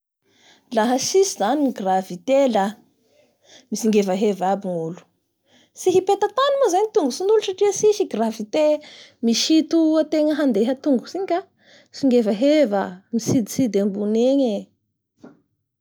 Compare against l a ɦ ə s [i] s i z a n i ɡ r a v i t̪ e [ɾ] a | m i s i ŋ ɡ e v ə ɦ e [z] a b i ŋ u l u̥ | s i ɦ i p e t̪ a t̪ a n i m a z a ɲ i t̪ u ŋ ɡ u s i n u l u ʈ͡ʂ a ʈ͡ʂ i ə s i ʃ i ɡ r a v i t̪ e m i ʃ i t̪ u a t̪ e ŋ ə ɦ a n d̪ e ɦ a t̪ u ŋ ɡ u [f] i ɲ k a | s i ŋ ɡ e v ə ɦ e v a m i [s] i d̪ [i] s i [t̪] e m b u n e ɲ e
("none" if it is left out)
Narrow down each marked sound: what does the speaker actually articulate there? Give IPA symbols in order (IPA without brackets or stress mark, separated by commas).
i, l, v, s, s, i, d̪